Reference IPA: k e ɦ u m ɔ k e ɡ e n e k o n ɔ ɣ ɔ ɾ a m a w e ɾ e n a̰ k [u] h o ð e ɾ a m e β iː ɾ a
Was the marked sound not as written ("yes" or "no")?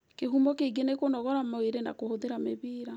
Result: yes